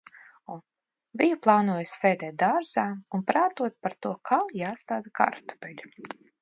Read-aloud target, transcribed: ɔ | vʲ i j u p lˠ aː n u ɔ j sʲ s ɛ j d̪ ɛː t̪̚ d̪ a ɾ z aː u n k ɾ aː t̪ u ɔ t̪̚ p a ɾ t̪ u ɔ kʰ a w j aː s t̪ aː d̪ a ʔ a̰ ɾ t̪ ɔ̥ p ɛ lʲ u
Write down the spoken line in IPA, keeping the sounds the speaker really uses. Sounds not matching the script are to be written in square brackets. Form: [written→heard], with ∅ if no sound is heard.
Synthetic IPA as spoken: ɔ | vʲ i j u p lˠ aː n u ɔ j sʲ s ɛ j d̪ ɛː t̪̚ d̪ a ɾ z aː u n [k→p] ɾ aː t̪ u ɔ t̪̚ p a ɾ t̪ u ɔ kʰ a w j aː s t̪ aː d̪ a [ʔ→k] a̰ ɾ t̪ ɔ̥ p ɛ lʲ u